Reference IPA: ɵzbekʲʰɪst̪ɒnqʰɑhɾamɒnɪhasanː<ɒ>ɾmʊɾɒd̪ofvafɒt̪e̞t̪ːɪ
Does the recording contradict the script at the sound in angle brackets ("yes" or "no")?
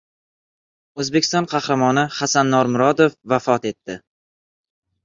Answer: no